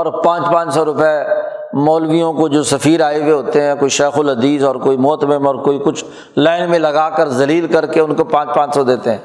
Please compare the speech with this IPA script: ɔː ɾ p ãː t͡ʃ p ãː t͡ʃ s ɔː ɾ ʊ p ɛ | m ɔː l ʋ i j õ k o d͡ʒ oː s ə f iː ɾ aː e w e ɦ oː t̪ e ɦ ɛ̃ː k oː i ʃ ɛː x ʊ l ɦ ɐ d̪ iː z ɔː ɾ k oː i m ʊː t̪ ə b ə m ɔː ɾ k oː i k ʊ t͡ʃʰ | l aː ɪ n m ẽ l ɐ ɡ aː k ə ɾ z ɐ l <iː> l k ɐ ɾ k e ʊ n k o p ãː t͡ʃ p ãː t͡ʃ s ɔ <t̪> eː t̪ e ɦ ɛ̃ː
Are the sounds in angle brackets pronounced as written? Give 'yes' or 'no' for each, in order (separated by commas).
yes, no